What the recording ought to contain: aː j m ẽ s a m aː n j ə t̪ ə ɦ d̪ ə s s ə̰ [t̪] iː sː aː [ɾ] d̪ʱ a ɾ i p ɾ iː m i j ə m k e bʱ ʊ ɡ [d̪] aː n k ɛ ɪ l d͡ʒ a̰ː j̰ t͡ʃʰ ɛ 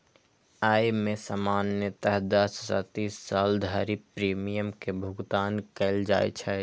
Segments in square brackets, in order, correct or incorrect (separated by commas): correct, incorrect, incorrect